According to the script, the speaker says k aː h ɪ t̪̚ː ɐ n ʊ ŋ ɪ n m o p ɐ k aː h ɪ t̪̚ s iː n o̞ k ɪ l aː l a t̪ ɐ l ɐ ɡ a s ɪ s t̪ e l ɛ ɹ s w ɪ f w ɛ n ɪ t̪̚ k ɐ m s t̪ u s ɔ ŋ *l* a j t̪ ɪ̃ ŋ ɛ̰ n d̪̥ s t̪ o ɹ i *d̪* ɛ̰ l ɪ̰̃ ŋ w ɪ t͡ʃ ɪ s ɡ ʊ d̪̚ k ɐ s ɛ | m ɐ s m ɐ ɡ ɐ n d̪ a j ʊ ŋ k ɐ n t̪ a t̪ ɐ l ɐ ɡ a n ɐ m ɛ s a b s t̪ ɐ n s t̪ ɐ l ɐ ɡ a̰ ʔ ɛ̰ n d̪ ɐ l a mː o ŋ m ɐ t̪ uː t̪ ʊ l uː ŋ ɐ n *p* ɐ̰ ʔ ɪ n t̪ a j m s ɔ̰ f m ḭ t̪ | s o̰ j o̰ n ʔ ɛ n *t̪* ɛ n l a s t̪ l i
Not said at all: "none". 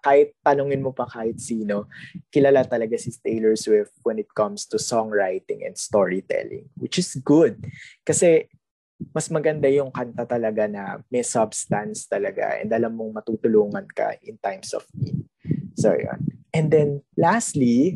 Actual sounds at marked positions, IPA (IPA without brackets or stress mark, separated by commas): ɹ, t̪, k, d̪